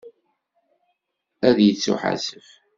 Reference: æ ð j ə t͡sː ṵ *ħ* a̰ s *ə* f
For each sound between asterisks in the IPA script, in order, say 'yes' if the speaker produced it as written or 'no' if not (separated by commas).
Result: yes, yes